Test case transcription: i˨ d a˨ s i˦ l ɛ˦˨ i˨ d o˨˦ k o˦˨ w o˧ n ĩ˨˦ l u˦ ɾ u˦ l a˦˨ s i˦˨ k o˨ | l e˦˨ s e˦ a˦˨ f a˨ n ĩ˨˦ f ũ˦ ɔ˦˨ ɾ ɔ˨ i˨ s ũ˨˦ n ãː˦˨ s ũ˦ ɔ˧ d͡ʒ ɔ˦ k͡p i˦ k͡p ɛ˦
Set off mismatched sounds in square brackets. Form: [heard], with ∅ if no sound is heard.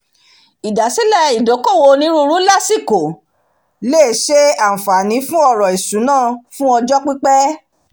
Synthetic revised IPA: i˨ d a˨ s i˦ l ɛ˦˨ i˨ d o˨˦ k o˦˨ w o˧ n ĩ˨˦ [ɾ] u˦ ɾ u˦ l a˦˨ s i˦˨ k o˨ | l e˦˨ [ʃ] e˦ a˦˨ f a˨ n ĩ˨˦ f ũ˦ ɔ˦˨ ɾ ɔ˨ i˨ s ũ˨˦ n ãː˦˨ [f] ũ˦ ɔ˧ d͡ʒ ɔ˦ k͡p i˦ k͡p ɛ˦